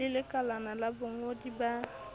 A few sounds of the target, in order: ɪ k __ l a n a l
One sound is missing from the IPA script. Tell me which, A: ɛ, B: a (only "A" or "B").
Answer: B